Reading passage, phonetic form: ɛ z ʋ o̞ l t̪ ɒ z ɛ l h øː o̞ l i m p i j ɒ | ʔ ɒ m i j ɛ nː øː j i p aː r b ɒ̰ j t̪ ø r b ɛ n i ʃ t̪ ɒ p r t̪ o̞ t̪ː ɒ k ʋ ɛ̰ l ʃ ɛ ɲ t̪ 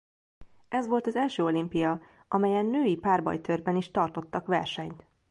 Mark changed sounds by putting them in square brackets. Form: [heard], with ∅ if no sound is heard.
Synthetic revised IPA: ɛ z ʋ o̞ l t̪ ɒ z ɛ l [ʃ] øː o̞ l i m p i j ɒ | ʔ ɒ m [ɛ] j ɛ nː øː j i p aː r b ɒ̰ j t̪ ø r b ɛ n i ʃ t̪ ɒ [∅] r t̪ o̞ t̪ː ɒ k ʋ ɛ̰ [r] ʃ ɛ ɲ t̪